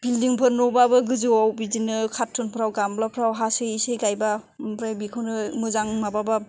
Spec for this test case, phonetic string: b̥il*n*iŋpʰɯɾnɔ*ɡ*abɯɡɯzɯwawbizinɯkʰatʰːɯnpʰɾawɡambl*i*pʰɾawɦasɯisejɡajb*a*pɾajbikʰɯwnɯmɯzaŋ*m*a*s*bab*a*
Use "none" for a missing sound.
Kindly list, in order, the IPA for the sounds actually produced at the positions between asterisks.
d, b, a, a, m, none, a

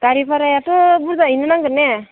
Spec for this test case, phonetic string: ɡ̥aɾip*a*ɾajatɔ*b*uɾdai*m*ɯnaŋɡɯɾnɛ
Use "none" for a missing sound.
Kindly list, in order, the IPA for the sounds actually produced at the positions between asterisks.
a, b, n

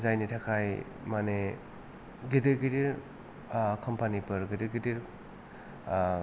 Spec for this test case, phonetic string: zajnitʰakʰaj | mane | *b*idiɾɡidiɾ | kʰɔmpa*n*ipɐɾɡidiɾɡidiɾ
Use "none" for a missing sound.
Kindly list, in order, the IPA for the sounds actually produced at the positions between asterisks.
ɡ, n

